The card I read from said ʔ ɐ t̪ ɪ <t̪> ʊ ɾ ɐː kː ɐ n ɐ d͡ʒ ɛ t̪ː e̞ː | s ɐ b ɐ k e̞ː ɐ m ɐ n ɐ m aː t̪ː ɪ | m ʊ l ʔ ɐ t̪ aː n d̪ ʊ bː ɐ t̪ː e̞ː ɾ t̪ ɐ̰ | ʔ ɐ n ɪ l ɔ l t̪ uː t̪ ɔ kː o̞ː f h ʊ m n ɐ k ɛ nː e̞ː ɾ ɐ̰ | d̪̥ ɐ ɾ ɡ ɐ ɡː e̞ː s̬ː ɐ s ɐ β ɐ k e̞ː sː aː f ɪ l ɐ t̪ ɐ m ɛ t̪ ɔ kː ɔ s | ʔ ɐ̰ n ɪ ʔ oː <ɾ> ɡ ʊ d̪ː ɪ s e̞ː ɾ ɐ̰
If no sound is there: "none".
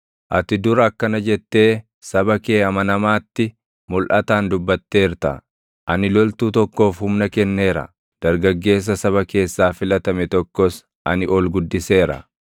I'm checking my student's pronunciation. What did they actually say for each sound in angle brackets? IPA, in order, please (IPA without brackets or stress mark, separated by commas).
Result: d̪, l